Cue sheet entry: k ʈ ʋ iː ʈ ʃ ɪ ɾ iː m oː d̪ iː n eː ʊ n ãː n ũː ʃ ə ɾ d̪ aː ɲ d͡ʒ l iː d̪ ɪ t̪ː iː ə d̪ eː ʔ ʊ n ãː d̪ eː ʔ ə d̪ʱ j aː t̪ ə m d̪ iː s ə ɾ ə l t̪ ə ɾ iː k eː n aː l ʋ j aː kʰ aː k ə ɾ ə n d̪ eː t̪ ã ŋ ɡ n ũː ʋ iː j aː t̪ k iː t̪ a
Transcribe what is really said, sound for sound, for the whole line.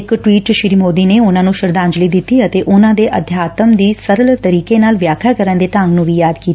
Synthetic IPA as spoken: k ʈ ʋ iː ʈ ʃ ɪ ɾ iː m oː d̪ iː n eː ʊ n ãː n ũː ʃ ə ɾ d̪ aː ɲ d͡ʒ l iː d̪ ɪ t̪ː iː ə t̪ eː ʔ ʊ n ãː d̪ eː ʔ ə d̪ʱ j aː t̪ ə m d̪ iː s ə ɾ ə l t̪ ə ɾ iː k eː n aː l ʋ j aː kʰ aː k ə ɾ ə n d̪ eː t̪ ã ŋ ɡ n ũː ʋ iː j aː d̪ k iː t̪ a